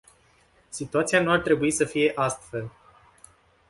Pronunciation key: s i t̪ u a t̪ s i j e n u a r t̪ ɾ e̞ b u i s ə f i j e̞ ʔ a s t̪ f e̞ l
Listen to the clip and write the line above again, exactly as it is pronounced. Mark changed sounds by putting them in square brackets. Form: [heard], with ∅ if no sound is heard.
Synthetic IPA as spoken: s i t̪ u a t̪ s i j [a] n u a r t̪ ɾ e̞ b u i s ə f i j e̞ ʔ a s t̪ f e̞ l